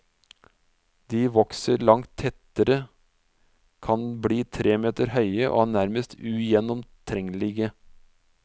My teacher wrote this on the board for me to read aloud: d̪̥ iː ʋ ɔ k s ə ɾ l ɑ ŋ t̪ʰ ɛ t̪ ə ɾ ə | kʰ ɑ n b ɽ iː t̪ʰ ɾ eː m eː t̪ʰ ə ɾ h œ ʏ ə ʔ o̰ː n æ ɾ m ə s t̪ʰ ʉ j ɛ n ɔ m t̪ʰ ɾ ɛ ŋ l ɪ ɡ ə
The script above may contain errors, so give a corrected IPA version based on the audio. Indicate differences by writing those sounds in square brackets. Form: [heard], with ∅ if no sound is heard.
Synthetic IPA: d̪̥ iː ʋ ɔ k s ə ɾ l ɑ ŋ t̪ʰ ɛ t̪ ə ɾ ə | kʰ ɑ n b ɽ iː t̪ʰ ɾ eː m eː [t̪] ə ɾ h œ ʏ ə ʔ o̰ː n æ ɾ m ə s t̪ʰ ʉ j ɛ n ɔ m t̪ʰ ɾ ɛ ŋ l ɪ ɡ ə